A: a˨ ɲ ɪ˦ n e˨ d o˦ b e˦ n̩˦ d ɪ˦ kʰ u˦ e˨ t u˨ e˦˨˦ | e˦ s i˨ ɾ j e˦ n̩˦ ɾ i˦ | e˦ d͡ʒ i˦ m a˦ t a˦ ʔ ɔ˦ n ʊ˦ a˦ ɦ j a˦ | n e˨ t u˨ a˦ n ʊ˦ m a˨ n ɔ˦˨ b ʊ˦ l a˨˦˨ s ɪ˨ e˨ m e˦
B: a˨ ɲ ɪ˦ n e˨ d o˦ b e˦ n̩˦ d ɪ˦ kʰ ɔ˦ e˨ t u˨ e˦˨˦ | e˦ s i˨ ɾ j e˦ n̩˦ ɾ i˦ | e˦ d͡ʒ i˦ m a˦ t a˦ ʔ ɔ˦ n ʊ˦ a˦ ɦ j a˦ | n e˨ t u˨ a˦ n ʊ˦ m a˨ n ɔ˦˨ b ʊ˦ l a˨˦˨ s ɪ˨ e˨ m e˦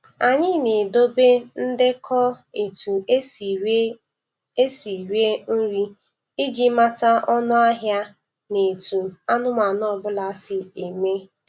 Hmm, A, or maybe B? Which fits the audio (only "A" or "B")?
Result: B